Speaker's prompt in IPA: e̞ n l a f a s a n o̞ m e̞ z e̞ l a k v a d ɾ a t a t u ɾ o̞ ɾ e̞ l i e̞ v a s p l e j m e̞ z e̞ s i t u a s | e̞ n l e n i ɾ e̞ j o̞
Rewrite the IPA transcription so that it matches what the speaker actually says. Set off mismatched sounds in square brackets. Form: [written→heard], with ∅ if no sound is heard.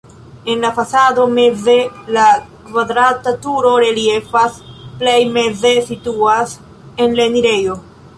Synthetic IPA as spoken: e̞ n l a f a s a [n→d] o̞ m e̞ z e̞ l a k v a d ɾ a t a t u ɾ o̞ ɾ e̞ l i e̞ [v→f] a s p l e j m e̞ z e̞ s i t u a s | e̞ n l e n i ɾ e̞ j o̞